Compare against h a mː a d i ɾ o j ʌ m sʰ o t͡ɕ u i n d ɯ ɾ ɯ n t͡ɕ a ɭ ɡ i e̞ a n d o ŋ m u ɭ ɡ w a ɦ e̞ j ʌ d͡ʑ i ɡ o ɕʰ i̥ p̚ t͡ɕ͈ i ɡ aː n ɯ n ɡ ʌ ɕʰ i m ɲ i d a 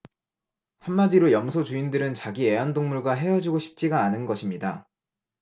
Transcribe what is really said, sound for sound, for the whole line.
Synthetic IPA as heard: h a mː a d i ɾ o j ʌ m sʰ o t͡ɕ u i n d ɯ ɾ ɯ n t͡ɕ a ɡ i e̞ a n d o ŋ m u ɭ ɡ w a ɦ e̞ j ʌ d͡ʑ i ɡ o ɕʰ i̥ p̚ t͡ɕ͈ i ɡ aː n ɯ n ɡ ʌ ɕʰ i m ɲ i d a

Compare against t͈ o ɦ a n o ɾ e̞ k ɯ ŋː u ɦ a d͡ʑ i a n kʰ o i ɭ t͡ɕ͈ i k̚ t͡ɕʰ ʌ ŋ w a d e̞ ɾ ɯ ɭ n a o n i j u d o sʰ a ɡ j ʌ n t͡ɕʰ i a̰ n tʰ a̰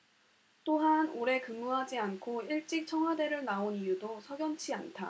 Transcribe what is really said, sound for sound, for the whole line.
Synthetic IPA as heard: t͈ o ɦ a n o ɾ e̞ k ɯ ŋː u ɦ a d͡ʑ i a n kʰ o i ɭ t͡ɕ͈ i k̚ t͡ɕʰ ʌ ŋ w a d e̞ ɾ ɯ ɭ n a o n i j u d o sʰ ʌ ɡ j ʌ n t͡ɕʰ i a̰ n tʰ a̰

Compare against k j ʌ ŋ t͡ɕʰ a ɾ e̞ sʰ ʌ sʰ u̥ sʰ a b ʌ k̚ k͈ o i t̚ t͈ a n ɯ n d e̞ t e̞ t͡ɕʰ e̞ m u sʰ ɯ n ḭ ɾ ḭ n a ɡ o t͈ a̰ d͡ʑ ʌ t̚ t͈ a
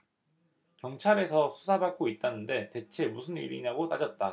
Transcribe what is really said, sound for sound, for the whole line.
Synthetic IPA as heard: k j ʌ ŋ t͡ɕʰ a ɾ e̞ sʰ ʌ sʰ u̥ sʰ a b a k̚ k͈ o i t̚ t͈ a n ɯ n d e̞ t e̞ t͡ɕʰ e̞ m u sʰ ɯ n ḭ ɾ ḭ n a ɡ o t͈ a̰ d͡ʑ ʌ t̚ t͈ a

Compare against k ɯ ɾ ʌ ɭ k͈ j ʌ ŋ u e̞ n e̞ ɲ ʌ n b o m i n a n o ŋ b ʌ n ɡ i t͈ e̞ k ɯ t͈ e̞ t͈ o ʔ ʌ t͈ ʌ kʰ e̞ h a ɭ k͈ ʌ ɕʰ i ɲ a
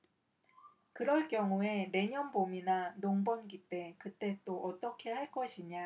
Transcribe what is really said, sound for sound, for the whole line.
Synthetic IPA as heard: k ɯ ɾ ʌ ɭ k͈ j ʌ ŋ u e̞ n e̞ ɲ ʌ n b o m i n a n o ŋ b ʌ n ɡ i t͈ e̞ k ɯ t͈ e̞ t͈ o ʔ ʌ t͈ ʌ kʰ e̞ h a ɭ k͈ ʌ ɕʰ i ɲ a

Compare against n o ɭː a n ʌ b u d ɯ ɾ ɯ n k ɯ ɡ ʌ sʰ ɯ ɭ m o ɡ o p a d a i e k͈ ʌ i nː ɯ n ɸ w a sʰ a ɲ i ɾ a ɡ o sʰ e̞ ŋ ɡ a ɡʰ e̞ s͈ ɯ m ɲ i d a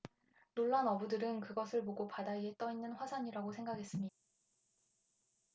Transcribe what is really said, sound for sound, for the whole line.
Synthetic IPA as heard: n o ɭː a n ʌ b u d ɯ ɾ ɯ n k ɯ ɡ ʌ sʰ ɯ ɭ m o ɡ o p a d a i e t͈ ʌ i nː ɯ n ɸ w a sʰ a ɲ i ɾ a ɡ o sʰ e̞ ŋ ɡ a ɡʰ e̞ s͈ ɯ m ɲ i d a

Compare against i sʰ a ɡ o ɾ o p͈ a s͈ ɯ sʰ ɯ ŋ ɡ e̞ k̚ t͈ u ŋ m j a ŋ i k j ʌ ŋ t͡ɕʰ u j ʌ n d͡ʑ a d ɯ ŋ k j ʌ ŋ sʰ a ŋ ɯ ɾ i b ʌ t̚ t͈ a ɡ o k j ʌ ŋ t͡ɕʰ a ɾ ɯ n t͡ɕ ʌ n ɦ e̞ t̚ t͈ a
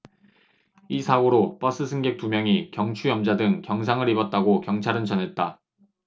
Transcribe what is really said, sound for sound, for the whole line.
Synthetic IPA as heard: i sʰ a ɡ o ɾ o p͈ ʌ s͈ ɯ sʰ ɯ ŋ ɡ e̞ k̚ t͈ u m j ʌ ŋ i k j ʌ ŋ t͡ɕʰ u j ʌ m d͡ʑ a d ɯ ŋ k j ʌ ŋ sʰ a ŋ ɯ ɾ i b ʌ t̚ t͈ a ɡ o k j ʌ ŋ t͡ɕʰ a ɾ ɯ n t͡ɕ ʌ n ɦ e̞ t̚ t͈ a

